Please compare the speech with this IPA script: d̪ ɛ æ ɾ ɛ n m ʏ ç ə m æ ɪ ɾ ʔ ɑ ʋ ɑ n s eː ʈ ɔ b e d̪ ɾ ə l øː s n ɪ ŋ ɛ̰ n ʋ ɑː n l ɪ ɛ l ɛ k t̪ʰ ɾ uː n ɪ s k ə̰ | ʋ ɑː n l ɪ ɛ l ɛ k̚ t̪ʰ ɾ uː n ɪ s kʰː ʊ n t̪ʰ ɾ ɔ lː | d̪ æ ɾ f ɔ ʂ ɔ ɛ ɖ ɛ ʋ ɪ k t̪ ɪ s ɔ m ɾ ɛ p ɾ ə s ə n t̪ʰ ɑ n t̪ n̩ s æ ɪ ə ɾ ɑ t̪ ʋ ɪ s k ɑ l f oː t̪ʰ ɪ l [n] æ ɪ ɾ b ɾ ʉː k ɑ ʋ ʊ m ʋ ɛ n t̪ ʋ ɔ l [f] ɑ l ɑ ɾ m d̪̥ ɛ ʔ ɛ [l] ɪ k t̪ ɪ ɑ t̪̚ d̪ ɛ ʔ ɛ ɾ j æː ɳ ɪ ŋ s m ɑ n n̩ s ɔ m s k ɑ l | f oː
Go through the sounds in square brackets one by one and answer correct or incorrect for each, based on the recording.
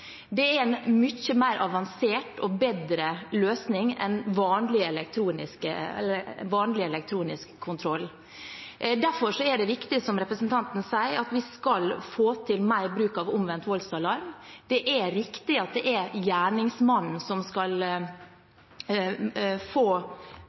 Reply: incorrect: m, incorrect: s, incorrect: ɾ

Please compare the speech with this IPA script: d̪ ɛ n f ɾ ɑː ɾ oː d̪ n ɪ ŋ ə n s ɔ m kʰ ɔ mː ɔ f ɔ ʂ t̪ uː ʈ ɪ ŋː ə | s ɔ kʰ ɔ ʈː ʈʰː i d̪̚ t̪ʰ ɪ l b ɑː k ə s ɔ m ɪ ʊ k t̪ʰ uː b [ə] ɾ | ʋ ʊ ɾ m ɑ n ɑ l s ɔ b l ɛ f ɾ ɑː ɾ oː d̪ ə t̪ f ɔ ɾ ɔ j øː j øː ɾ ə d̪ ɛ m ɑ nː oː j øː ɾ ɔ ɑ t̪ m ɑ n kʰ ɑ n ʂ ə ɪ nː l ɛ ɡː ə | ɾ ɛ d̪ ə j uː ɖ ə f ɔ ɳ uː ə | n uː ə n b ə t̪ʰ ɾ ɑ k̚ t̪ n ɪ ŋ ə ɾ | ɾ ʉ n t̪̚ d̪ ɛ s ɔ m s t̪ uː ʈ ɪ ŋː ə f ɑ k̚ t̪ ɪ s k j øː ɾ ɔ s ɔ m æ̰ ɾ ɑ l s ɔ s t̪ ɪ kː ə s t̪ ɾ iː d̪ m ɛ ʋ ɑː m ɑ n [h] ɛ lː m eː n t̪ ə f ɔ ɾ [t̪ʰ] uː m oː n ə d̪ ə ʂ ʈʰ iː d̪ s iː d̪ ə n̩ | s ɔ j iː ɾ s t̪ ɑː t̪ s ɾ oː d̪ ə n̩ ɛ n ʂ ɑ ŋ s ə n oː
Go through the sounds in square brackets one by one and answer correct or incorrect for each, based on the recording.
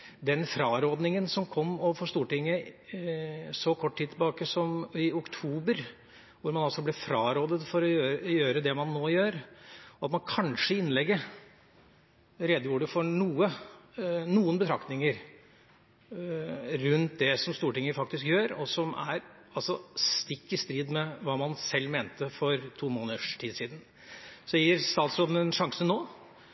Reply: correct, incorrect: s, correct

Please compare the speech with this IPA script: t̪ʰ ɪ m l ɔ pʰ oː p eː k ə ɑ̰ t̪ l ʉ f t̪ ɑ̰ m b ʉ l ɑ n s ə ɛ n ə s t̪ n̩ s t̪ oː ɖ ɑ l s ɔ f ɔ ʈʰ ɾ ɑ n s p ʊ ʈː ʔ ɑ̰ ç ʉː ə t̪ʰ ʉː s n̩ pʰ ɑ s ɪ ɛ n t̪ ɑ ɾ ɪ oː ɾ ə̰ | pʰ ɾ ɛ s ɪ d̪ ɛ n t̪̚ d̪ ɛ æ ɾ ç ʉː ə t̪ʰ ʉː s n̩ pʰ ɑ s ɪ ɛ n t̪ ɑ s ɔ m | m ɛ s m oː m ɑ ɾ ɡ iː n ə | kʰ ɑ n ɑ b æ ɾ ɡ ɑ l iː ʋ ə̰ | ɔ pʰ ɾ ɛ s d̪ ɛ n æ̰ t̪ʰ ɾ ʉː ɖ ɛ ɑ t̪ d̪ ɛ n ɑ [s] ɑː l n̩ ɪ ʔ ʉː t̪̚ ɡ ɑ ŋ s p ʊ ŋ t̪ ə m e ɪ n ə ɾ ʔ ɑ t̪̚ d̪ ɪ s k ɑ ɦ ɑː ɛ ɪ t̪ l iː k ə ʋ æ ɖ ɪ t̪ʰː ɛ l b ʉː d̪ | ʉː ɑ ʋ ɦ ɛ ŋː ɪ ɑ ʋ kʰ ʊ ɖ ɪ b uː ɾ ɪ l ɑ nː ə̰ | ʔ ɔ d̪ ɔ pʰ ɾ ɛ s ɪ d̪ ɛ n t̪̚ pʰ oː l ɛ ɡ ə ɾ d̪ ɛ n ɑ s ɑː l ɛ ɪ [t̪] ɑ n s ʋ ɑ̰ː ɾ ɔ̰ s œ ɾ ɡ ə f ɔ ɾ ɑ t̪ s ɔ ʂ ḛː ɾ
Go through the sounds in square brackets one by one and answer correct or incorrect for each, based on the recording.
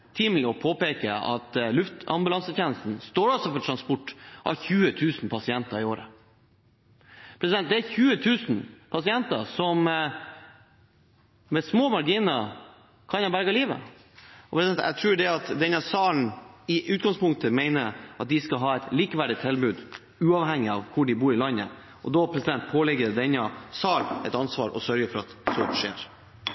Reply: correct, correct

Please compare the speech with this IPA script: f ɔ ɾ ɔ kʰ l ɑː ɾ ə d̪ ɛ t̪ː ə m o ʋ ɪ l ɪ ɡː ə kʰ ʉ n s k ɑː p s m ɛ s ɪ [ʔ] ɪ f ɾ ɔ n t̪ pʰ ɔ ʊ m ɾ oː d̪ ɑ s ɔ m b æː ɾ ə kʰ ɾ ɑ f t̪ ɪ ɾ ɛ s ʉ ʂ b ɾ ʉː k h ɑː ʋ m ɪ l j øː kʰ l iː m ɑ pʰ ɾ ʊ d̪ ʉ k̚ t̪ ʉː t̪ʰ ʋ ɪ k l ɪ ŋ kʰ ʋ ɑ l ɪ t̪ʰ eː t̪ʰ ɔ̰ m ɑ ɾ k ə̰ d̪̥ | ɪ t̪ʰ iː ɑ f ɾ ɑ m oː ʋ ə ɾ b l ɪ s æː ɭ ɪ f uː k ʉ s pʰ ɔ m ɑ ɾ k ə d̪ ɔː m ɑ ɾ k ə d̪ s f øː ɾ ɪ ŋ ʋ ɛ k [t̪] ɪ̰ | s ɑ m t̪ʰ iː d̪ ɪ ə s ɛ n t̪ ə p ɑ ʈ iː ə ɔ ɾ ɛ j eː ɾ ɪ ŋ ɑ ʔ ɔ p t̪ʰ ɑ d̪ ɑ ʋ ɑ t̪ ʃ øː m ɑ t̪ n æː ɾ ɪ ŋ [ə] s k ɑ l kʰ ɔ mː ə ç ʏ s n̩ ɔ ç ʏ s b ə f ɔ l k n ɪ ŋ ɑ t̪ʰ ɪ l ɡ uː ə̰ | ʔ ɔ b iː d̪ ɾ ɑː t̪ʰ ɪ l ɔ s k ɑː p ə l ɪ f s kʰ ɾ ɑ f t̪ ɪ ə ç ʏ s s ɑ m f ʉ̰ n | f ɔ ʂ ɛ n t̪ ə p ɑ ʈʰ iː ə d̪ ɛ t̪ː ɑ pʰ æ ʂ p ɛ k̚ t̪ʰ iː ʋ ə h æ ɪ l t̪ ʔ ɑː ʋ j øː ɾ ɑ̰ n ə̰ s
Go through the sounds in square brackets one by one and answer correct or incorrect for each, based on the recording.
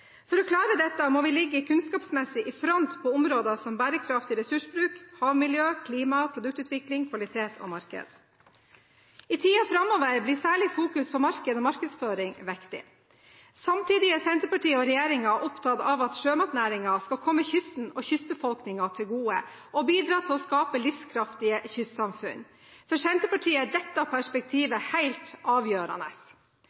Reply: correct, correct, incorrect: ɑ

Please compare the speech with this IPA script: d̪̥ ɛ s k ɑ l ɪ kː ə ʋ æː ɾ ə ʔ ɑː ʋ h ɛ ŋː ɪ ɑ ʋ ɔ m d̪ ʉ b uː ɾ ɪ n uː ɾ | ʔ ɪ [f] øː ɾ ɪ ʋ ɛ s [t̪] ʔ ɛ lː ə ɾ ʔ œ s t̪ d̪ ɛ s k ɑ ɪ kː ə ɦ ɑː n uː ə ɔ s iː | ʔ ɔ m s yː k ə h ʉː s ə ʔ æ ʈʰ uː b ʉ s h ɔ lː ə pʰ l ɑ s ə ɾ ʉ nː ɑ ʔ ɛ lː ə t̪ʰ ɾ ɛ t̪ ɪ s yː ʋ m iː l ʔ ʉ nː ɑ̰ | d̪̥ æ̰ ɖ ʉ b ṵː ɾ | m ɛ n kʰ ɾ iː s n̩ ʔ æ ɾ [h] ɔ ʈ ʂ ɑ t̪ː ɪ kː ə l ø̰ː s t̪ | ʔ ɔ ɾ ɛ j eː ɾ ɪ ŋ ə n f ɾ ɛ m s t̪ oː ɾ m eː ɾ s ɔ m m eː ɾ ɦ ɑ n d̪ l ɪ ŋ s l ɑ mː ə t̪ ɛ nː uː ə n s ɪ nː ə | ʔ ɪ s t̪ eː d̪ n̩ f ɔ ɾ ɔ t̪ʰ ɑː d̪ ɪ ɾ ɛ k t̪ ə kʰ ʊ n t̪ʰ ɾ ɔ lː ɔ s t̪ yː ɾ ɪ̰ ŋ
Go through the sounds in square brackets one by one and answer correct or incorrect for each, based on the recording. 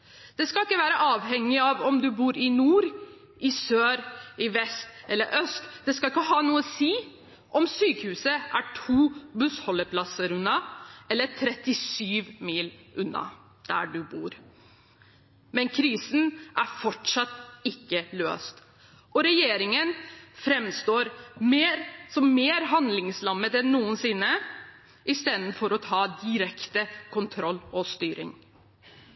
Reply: incorrect: s, correct, incorrect: f

